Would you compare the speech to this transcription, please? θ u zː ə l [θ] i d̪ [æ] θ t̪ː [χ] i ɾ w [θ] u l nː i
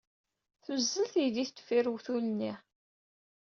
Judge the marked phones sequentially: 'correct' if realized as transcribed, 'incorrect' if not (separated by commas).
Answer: correct, incorrect, incorrect, correct